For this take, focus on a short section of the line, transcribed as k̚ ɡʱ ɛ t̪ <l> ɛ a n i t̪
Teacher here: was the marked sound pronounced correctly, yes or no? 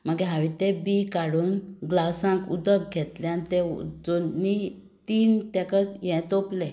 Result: yes